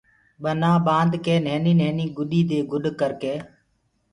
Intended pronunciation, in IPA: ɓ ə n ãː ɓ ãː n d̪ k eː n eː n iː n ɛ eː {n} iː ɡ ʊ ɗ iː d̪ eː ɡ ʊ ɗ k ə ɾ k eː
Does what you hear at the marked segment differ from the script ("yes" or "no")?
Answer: no